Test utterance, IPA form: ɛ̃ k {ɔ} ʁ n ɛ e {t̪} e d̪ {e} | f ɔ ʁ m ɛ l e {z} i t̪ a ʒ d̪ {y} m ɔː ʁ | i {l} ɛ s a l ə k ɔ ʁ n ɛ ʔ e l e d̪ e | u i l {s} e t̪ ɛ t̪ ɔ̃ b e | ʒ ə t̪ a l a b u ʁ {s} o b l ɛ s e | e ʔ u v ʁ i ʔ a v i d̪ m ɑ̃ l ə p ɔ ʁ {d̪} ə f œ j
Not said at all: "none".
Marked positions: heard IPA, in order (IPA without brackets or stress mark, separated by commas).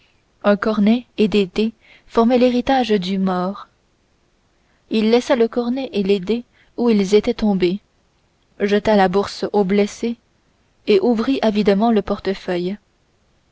ɔ, d̪, e, ʁ, y, lː, z, s, t̪